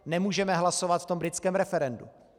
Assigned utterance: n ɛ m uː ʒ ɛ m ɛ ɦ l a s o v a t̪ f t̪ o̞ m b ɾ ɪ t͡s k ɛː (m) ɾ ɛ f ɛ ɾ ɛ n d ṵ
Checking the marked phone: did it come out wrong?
no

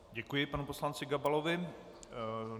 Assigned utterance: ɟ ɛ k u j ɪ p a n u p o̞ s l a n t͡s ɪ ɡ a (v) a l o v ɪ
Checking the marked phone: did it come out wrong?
yes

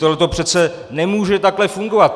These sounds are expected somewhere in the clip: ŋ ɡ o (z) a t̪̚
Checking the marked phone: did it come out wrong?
yes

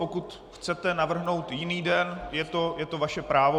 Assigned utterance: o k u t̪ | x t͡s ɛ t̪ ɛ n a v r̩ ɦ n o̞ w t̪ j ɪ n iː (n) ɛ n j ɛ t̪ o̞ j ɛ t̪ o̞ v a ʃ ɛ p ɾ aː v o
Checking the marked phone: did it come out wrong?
yes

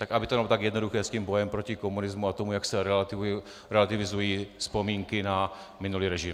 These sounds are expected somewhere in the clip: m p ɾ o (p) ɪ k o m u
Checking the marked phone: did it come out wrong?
yes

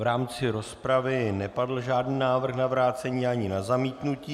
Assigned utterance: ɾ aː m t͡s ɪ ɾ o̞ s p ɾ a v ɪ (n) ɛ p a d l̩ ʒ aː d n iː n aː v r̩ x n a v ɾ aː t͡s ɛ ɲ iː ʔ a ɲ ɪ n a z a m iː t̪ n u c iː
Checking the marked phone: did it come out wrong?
no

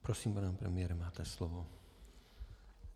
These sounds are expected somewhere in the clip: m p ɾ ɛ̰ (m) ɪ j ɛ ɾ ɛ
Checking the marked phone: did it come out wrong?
no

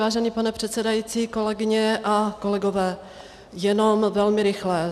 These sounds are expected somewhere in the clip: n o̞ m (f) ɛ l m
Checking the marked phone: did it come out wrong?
yes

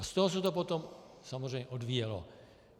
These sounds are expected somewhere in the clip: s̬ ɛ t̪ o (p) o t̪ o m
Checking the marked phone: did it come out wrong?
no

